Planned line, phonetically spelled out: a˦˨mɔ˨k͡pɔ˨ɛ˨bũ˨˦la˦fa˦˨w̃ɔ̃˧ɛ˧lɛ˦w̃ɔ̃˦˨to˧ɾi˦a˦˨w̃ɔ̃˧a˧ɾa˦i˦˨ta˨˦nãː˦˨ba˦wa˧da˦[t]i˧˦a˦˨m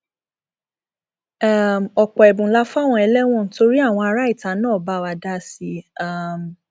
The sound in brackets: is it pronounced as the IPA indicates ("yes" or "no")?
no